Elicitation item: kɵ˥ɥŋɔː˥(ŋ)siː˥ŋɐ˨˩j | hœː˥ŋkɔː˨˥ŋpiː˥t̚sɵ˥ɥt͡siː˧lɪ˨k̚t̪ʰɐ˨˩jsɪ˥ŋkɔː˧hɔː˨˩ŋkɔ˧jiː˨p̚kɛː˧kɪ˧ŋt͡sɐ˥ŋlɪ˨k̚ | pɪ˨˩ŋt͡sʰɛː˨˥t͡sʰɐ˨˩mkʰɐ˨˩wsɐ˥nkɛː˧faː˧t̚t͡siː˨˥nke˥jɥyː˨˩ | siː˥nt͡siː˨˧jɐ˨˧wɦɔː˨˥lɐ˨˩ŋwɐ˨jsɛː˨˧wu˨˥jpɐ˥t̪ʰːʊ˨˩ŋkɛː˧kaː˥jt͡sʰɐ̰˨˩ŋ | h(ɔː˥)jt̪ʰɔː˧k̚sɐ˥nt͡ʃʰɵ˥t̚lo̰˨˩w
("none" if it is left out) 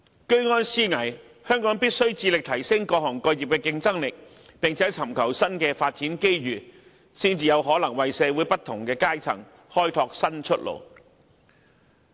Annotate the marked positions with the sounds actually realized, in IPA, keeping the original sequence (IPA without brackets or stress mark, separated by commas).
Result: n, ɔː˥